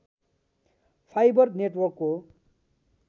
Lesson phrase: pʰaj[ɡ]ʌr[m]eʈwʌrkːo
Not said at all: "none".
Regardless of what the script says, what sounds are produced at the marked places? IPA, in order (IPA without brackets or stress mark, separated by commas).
b, n